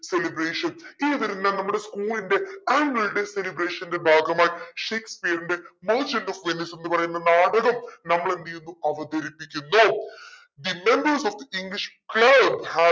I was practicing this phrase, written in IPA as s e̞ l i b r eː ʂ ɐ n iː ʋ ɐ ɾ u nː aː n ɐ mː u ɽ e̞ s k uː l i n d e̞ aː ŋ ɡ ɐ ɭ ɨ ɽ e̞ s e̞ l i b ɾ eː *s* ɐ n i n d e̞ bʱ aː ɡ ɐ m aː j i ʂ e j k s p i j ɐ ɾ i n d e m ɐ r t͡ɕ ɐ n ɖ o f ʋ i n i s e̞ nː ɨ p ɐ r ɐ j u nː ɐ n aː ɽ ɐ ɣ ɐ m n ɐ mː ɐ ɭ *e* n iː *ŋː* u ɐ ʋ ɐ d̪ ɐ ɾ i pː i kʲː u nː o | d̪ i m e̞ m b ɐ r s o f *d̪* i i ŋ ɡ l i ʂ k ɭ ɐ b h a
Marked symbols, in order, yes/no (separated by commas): no, yes, no, yes